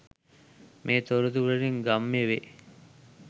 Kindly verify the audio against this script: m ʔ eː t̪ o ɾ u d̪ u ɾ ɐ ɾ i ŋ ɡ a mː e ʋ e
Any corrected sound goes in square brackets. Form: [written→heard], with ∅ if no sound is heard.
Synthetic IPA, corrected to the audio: m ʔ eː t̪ o ɾ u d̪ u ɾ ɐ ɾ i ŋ ɡ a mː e ʋ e